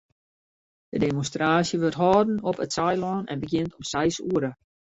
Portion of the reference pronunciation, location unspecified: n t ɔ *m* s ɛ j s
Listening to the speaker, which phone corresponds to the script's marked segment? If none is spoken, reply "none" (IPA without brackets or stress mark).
m